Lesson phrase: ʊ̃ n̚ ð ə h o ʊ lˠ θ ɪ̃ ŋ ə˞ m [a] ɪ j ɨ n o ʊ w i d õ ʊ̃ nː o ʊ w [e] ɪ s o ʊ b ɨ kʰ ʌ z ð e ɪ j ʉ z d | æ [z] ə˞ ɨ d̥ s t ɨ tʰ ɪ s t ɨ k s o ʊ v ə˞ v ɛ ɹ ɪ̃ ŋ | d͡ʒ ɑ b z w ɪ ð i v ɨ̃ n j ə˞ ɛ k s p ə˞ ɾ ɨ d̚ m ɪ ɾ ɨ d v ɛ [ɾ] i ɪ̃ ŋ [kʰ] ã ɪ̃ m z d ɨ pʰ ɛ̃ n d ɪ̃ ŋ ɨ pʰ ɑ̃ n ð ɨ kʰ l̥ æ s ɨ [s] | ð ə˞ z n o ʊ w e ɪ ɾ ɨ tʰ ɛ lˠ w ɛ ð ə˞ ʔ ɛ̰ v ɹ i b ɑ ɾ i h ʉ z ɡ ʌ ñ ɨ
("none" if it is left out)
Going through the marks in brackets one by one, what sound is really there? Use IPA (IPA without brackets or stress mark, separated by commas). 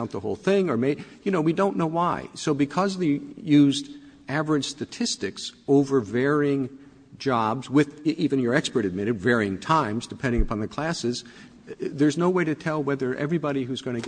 e, a, v, ɹ, tʰ, z